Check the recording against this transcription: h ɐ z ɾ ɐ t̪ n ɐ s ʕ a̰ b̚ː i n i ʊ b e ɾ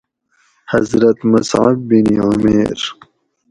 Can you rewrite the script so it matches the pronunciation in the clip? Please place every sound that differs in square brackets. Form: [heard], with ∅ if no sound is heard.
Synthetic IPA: h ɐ z ɾ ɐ t̪ [m] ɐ s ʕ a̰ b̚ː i n i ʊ [m] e ɾ